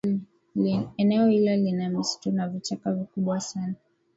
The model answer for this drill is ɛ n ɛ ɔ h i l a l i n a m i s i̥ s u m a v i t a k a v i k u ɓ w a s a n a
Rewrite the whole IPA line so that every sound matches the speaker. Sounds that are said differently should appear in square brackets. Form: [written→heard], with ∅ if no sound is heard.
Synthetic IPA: ɛ n ɛ ɔ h i l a l i n a m i s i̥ [s→t] u [m→n] a v i [t→t͡ʃ] a k a v i k u ɓ w a s a n a